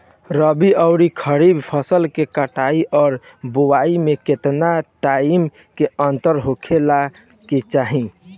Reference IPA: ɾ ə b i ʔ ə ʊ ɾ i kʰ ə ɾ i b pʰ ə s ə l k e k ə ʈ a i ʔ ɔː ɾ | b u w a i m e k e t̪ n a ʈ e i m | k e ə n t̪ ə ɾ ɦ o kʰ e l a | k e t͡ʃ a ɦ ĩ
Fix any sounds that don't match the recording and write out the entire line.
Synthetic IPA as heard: ɾ ə b i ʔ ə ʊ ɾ i kʰ ə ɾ i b pʰ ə s ə l k e k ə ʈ a i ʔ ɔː ɾ | b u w a i m e k e t̪ n a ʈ a i m | k e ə n t̪ ə ɾ ɦ o kʰ e l a | k e t͡ʃ a ɦ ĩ